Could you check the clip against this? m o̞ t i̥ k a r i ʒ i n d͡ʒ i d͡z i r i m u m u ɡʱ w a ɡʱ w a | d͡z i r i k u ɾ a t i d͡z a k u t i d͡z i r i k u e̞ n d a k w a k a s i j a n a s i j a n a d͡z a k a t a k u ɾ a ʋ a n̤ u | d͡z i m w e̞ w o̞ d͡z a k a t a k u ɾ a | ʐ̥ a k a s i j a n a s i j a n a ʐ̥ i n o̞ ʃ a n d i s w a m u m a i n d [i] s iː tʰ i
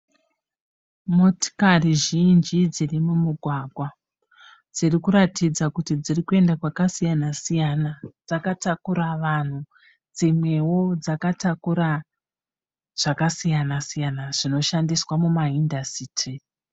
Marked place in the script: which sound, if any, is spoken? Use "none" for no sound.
a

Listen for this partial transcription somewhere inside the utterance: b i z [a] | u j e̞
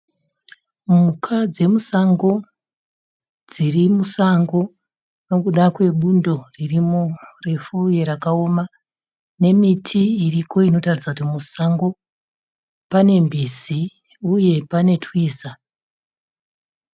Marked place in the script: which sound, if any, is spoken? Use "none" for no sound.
i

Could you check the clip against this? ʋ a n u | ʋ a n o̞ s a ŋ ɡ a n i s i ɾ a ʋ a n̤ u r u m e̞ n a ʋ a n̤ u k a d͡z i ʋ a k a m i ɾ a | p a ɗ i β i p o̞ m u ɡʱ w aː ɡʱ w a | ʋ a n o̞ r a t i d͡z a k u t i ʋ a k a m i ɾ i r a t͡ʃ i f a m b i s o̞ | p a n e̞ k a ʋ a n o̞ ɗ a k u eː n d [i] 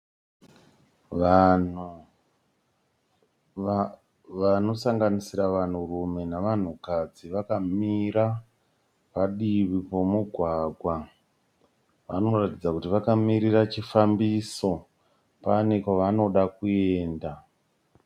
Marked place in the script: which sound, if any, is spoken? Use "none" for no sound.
a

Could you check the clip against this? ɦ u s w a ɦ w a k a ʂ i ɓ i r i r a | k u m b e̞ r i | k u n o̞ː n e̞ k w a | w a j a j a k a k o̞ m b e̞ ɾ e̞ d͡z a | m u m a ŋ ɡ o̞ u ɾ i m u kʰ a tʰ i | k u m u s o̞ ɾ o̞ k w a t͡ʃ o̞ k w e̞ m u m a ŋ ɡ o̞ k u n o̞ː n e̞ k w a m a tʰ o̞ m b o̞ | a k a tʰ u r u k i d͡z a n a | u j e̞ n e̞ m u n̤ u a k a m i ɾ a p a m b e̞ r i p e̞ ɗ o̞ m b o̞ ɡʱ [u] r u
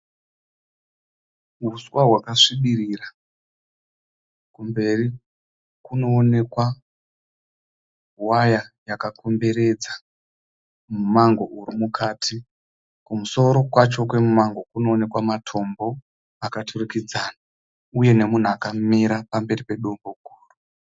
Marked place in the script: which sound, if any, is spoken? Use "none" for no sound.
uː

